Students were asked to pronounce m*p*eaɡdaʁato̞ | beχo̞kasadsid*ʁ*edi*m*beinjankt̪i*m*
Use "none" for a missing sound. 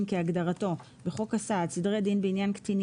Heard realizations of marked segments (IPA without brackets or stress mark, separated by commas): k, ʁ, n, n